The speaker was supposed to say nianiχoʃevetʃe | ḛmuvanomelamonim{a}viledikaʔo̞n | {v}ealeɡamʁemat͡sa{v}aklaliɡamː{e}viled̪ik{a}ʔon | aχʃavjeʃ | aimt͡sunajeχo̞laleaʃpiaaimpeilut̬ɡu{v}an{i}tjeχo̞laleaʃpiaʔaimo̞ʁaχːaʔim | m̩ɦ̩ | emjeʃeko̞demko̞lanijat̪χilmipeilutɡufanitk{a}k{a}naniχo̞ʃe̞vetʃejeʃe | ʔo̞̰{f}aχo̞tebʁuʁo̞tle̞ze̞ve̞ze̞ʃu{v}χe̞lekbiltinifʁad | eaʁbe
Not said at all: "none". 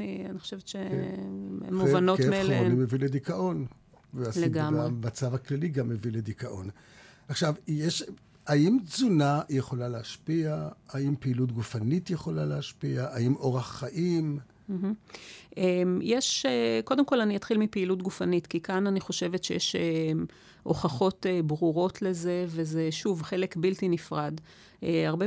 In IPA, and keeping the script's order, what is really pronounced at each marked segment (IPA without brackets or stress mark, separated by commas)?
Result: e, v, v, e, a, f, i, i, a, χ, v